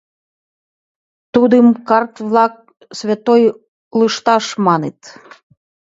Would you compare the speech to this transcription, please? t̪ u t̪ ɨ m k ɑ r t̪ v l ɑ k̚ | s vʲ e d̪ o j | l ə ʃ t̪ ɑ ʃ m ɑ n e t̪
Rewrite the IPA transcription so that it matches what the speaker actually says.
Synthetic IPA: t̪ u d̪ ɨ m k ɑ r t̪ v l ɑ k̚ | s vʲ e t̪ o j | l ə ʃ t̪ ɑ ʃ m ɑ n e t̪